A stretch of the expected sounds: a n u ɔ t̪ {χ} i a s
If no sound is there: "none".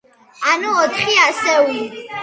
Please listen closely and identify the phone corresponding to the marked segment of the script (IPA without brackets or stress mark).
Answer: χ